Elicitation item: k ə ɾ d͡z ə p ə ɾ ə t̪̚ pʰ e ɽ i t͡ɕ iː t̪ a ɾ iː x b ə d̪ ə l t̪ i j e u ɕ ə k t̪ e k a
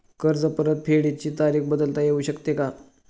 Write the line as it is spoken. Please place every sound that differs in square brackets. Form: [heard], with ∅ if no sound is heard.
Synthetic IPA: k ə ɾ d͡z ə p ə ɾ ə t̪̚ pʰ e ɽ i t͡ɕ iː t̪ a ɾ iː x b ə d̪ ə l t̪ [a] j e u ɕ ə k t̪ e k a